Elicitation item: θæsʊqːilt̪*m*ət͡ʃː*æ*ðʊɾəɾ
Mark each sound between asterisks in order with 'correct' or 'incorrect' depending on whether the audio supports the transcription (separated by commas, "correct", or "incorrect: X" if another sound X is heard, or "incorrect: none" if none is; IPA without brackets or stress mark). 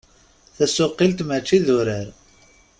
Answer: correct, incorrect: i